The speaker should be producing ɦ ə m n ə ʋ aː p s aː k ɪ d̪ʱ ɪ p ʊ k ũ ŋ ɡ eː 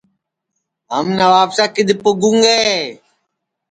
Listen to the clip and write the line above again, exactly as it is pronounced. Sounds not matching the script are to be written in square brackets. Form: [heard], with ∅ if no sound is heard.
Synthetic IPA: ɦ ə m n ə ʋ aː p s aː k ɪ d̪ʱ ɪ p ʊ [ɡ] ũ ŋ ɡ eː

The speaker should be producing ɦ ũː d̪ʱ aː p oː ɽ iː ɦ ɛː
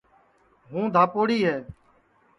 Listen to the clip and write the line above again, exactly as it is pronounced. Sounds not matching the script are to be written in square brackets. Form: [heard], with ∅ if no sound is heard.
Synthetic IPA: ɦ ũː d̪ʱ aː p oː ɽ iː ɦ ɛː

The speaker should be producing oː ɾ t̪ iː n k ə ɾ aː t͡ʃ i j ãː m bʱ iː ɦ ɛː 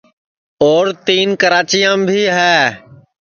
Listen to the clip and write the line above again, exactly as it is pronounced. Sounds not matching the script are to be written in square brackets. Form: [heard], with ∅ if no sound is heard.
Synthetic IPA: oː ɾ t̪ iː n k ə ɾ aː t͡ʃ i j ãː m bʱ iː ɦ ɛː

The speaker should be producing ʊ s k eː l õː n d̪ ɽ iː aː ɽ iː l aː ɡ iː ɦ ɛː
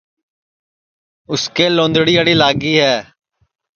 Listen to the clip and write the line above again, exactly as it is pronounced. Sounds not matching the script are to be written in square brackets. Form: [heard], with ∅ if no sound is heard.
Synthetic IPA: ʊ s k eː l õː n d̪ ɽ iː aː ɽ iː l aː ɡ iː ɦ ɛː

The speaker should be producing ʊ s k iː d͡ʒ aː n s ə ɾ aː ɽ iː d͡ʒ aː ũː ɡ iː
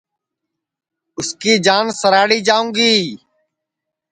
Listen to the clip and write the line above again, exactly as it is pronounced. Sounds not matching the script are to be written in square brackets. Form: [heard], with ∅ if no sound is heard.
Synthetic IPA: ʊ s k iː d͡ʒ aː n s ə ɾ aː ɽ iː d͡ʒ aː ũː ɡ iː

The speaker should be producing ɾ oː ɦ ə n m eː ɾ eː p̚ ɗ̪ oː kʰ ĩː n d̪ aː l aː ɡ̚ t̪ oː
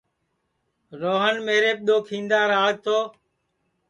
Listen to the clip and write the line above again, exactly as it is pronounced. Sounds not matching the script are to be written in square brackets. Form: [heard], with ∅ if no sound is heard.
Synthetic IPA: ɾ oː ɦ ə n m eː ɾ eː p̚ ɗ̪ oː kʰ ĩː n d̪ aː [ɾ] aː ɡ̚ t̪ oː

